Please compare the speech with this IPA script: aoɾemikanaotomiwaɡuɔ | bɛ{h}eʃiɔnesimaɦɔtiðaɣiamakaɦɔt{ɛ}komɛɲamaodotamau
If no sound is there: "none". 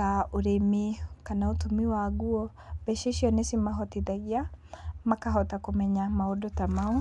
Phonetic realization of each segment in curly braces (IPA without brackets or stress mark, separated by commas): ʃ, a